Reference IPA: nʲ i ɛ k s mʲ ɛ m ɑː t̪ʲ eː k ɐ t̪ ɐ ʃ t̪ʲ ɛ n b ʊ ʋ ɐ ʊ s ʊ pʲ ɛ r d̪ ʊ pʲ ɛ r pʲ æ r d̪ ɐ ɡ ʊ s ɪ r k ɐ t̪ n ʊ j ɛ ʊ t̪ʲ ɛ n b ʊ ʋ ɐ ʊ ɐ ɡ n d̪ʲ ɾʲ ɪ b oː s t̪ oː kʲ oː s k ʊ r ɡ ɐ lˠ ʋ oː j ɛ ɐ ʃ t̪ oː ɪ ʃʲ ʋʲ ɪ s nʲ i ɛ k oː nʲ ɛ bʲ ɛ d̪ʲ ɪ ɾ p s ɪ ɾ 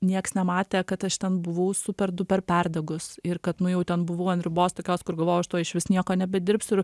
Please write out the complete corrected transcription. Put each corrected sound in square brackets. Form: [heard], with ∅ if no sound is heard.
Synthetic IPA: nʲ i ɛ k s [nʲ] ɛ m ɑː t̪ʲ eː k ɐ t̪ ɐ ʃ t̪ʲ ɛ n b ʊ ʋ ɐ ʊ s ʊ pʲ ɛ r d̪ ʊ pʲ ɛ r pʲ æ r d̪ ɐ ɡ ʊ s ɪ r k ɐ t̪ n ʊ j ɛ ʊ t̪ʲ ɛ n b ʊ ʋ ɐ ʊ ɐ [∅] n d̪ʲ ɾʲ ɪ b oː s t̪ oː kʲ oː s k ʊ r ɡ ɐ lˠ ʋ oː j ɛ ɐ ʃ t̪ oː ɪ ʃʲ ʋʲ ɪ s nʲ i ɛ k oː nʲ ɛ bʲ ɛ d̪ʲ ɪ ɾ p s ɪ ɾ